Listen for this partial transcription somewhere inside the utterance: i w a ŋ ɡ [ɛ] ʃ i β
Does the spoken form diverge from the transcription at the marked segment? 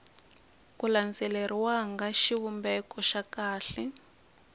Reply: yes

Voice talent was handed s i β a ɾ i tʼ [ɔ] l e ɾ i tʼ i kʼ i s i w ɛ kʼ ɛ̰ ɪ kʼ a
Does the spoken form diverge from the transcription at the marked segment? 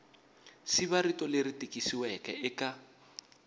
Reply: no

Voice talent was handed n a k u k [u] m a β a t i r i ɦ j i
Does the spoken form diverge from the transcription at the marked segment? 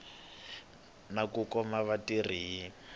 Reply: yes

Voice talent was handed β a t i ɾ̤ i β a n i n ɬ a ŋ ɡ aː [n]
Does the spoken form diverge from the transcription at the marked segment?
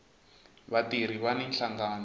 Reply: no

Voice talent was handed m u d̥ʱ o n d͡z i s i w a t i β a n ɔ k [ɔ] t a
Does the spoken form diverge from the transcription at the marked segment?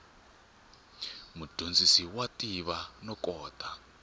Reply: yes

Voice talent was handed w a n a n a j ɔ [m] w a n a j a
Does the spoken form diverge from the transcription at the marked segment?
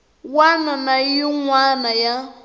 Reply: yes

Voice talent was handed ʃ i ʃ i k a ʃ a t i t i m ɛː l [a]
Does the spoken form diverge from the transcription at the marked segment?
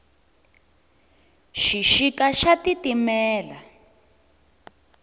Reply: no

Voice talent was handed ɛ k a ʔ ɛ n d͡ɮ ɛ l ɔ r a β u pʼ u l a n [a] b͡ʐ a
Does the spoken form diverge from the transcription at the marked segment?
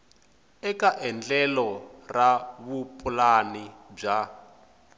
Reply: yes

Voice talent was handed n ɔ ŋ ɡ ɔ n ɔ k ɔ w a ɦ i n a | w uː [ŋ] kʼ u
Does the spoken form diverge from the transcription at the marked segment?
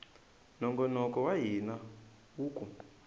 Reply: yes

